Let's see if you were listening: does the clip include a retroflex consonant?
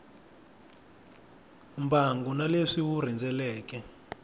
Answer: yes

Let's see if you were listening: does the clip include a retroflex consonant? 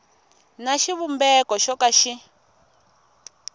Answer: no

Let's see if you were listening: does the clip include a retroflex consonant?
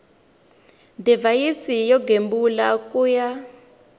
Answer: no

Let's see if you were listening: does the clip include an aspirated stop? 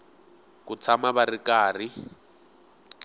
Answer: yes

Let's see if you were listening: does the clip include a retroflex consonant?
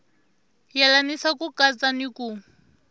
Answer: no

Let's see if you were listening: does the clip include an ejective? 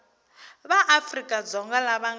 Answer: yes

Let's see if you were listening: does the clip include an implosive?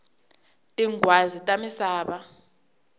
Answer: yes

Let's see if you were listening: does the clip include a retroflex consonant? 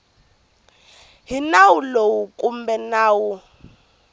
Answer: no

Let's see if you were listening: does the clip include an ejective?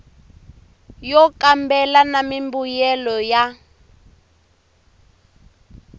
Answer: no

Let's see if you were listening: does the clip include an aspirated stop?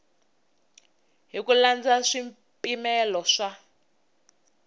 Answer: no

